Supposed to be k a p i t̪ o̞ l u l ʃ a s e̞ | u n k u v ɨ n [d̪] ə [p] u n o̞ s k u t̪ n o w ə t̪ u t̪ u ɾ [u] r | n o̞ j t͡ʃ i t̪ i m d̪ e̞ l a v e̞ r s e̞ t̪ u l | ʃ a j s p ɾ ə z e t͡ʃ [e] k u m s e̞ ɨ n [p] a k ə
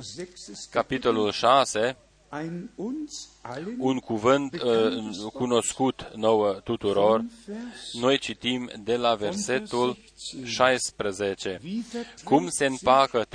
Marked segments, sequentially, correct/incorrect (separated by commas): incorrect, incorrect, incorrect, correct, correct